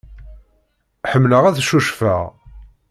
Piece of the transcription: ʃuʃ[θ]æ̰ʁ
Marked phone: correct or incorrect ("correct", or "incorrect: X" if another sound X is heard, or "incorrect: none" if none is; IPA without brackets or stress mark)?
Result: incorrect: f